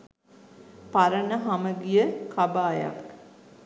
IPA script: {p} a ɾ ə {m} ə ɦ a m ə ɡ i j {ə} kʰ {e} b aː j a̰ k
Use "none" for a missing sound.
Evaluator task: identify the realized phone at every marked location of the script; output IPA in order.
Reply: p, n, ə, a

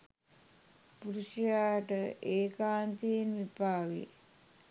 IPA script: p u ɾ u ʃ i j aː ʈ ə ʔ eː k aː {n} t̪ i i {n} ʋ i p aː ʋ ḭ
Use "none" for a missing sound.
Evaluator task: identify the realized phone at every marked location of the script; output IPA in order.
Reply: n, n

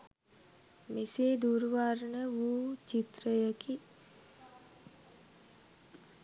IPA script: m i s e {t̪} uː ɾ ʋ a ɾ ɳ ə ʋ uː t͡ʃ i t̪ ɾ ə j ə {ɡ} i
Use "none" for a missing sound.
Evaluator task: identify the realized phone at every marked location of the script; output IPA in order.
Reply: d̪, k

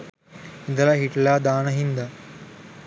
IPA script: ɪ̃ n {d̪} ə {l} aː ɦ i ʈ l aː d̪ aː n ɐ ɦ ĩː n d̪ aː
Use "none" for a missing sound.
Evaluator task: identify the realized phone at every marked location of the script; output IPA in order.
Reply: d̪, l

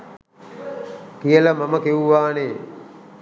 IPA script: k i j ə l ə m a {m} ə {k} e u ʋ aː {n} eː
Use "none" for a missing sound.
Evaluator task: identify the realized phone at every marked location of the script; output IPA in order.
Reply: m, k, n

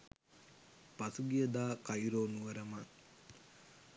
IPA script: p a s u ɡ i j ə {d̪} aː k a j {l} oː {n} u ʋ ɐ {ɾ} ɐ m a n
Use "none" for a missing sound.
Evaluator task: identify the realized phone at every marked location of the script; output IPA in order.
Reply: d̪, ɾ, n, ɾ

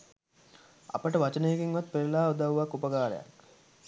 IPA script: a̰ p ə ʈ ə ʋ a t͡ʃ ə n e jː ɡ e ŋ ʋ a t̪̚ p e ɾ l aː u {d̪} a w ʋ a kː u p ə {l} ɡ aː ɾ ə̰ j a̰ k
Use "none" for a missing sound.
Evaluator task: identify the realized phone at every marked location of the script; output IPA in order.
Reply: d̪, none

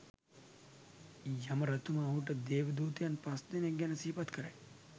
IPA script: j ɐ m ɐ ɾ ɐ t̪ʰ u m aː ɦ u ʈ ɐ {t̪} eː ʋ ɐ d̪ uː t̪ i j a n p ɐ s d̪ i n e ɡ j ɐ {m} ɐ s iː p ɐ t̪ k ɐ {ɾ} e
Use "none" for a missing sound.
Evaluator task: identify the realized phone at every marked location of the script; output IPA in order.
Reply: d̪, n, ɾ

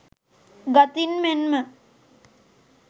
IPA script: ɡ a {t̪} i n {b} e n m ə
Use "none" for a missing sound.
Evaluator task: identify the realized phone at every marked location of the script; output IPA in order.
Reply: t̪, m

